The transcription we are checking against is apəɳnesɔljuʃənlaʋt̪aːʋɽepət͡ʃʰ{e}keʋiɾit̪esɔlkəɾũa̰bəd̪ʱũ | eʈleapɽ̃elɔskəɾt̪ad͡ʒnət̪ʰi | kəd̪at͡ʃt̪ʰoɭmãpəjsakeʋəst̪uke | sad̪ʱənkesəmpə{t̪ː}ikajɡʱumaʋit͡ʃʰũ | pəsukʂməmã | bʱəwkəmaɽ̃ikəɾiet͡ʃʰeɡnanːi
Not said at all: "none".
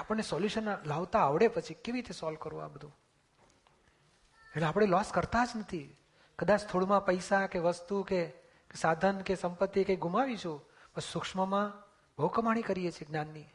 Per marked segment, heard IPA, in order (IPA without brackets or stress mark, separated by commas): i, t̪ː